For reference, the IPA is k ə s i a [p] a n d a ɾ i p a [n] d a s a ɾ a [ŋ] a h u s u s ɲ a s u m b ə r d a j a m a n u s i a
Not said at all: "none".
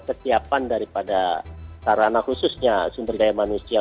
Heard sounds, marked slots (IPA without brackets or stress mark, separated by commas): p, none, n